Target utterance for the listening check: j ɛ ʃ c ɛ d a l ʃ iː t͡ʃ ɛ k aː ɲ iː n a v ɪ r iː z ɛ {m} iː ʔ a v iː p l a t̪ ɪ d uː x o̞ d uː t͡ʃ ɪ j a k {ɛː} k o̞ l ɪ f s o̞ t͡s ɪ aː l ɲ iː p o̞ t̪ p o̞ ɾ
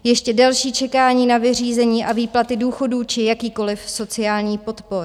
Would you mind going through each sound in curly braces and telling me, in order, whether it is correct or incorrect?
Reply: incorrect: ɲ, incorrect: iː

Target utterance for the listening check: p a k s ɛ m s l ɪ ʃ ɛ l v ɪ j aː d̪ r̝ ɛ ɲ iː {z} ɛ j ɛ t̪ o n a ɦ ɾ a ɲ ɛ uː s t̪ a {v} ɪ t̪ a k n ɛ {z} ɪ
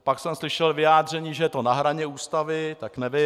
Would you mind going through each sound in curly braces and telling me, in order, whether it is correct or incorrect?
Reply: incorrect: ʒ, correct, incorrect: v

